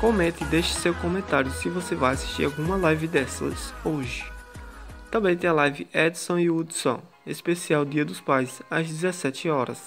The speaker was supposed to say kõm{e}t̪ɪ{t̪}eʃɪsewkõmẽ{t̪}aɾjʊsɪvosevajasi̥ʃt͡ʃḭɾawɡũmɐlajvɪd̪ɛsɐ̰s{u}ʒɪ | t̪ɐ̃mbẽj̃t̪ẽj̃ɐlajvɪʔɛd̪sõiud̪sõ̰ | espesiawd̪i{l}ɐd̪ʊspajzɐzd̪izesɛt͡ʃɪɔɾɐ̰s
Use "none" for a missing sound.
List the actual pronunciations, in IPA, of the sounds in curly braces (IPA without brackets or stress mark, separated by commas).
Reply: ẽ, d̪, t̪, o, none